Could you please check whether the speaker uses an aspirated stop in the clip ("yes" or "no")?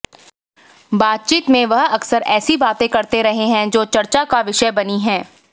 no